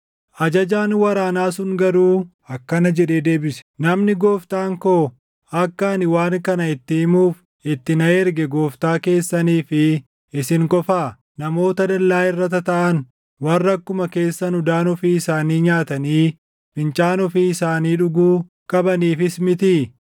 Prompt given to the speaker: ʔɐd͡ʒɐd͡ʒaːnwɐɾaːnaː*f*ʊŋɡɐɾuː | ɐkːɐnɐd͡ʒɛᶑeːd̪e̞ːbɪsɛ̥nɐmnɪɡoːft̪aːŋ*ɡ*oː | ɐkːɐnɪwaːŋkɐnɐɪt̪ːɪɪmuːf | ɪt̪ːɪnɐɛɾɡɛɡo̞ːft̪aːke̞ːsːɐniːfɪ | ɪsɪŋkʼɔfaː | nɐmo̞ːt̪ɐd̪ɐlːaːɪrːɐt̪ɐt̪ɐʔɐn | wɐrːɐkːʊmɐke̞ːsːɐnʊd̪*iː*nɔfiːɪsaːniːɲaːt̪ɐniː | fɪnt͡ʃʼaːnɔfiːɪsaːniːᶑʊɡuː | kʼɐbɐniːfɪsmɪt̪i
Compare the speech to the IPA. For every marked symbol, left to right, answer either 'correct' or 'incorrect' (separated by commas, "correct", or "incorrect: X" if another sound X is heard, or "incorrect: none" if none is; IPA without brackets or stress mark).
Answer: incorrect: s, incorrect: k, incorrect: aː